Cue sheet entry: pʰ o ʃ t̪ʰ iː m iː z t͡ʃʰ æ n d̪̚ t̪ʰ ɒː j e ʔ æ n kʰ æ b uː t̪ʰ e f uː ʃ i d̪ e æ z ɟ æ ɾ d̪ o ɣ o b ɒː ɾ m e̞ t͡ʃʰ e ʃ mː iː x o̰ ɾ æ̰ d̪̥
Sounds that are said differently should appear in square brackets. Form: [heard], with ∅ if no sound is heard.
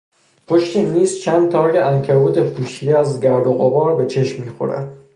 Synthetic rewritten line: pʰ o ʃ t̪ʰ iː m iː z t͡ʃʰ æ n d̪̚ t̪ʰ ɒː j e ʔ æ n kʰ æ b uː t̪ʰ e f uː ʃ i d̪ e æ z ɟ æ ɾ d̪ o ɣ o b ɒː ɾ [b] e̞ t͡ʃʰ e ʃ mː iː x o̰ ɾ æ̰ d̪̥

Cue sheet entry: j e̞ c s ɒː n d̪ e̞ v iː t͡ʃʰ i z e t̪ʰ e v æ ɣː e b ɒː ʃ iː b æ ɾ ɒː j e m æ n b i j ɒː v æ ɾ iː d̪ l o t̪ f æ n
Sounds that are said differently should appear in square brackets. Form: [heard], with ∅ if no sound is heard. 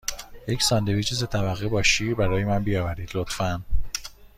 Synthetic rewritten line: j e̞ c s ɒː n d̪ e̞ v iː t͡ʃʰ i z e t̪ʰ [æ] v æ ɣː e b ɒː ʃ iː b æ ɾ ɒː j e m æ n b i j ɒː v æ ɾ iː d̪ l o t̪ f æ n

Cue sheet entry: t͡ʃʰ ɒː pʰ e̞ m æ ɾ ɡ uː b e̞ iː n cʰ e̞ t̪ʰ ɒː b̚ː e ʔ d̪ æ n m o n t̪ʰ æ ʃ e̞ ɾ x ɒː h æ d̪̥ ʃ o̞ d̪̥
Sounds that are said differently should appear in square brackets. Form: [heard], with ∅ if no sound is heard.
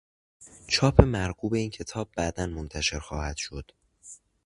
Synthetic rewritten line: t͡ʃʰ ɒː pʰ e̞ m æ ɾ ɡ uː b e̞ iː n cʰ e̞ t̪ʰ ɒː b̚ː [æ] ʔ d̪ æ n m o n t̪ʰ æ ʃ e̞ ɾ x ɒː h æ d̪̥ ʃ o̞ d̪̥

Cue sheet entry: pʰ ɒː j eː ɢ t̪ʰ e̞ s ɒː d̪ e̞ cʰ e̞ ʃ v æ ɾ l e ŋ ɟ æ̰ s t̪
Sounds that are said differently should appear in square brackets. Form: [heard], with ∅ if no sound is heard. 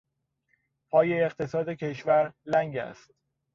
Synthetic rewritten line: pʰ ɒː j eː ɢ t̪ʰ e̞ s ɒː d̪ e̞ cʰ e̞ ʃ v æ ɾ l [æ] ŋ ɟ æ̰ s t̪

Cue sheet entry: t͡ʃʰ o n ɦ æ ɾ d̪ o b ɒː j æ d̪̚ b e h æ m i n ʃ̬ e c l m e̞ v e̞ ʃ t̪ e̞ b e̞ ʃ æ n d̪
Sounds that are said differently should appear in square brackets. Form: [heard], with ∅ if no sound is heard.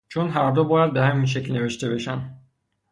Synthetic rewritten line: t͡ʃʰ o n ɦ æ ɾ d̪ o b ɒː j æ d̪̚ b e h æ m i n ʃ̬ e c l [n] e̞ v e̞ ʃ t̪ e̞ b e̞ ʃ æ n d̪

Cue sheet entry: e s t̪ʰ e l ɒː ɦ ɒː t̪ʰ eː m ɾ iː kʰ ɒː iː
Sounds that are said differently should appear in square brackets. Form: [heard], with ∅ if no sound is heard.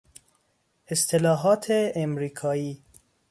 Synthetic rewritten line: e s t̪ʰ e l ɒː ɦ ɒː t̪ʰ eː m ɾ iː kʰ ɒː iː

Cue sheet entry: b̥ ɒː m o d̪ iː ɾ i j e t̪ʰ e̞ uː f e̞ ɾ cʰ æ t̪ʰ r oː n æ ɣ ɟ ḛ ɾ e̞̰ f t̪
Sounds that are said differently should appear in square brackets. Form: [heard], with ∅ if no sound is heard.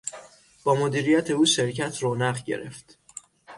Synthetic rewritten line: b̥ ɒː m o d̪ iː ɾ i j [æ] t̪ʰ e̞ uː [ʃ] e̞ ɾ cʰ æ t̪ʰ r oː n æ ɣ ɟ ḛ ɾ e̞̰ f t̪

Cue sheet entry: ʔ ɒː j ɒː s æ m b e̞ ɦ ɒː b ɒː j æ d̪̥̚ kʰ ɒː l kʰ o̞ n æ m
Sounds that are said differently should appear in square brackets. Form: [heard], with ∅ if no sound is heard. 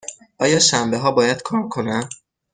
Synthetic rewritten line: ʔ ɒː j ɒː [ʃ] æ m b e̞ ɦ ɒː b ɒː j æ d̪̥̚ kʰ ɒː [ɾ] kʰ o̞ n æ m

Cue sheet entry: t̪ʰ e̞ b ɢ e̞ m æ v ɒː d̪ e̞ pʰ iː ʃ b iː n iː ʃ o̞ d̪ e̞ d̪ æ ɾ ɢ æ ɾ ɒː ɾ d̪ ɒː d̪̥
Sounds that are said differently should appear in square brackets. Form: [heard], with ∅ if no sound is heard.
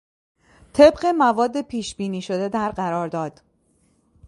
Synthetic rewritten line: t̪ʰ e̞ b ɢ e̞ m æ v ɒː [d̪ː] e̞ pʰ iː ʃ b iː n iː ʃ o̞ d̪ e̞ d̪ æ ɾ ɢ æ ɾ ɒː ɾ d̪ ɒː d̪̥

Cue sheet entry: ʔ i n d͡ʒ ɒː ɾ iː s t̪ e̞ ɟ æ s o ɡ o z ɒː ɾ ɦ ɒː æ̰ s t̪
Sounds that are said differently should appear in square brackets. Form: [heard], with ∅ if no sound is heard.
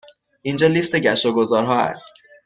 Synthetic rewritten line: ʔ i n d͡ʒ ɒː [l] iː s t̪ e̞ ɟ æ [ʃ] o ɡ o z ɒː ɾ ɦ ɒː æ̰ s t̪

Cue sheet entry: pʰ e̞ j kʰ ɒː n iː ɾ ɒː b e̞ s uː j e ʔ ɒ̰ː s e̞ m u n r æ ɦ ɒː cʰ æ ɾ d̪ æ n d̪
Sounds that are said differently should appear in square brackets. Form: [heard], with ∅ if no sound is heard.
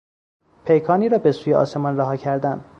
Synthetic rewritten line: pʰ e̞ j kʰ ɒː n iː ɾ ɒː b e̞ s uː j e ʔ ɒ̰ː s e̞ m [ɒ] n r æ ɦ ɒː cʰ æ ɾ d̪ æ n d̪

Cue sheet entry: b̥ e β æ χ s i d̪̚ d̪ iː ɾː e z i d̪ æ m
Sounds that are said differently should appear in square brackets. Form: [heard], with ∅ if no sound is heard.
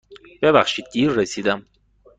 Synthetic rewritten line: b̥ e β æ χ [ʃ] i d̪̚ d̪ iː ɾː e [s] i d̪ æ m

